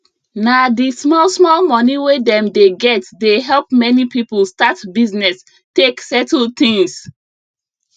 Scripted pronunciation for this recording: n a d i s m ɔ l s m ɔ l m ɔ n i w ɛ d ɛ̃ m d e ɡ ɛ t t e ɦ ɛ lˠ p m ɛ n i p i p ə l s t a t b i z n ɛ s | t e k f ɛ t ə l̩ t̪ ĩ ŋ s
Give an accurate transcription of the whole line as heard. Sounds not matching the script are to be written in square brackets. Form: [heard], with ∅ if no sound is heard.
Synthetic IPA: n a d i s m ɔ l s m ɔ l m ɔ n i w [e] d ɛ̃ m d e ɡ ɛ t [d] e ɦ ɛ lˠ p m ɛ n i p i p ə l s t a t b i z n ɛ s | t e k [s] ɛ t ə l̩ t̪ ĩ ŋ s